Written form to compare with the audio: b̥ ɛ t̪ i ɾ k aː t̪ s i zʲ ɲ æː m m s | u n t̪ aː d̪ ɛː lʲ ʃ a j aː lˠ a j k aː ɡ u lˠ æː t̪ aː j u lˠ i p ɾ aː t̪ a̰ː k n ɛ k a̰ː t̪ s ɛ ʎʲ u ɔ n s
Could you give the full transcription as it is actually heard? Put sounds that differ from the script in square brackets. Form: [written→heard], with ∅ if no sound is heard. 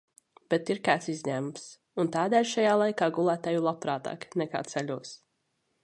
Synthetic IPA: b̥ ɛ t̪ i ɾ k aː t̪ s i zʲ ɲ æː m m s | u n t̪ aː d̪ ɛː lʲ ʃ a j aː lˠ a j k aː ɡ u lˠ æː t̪ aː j u lˠ [i→a] p ɾ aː t̪ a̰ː k n ɛ k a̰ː t̪ s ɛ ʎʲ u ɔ [n→∅] s